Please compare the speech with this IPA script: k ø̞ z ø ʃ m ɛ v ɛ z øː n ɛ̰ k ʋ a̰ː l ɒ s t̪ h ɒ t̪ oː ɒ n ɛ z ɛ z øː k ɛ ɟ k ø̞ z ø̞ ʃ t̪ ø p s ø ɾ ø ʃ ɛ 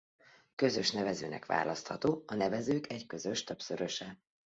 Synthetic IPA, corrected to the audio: k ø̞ z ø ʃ n ɛ v ɛ z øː n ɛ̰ k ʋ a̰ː l ɒ s t̪ h ɒ t̪ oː ɒ n ɛ v ɛ z øː k ɛ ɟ k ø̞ z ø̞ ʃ t̪ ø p s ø ɾ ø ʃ ɛ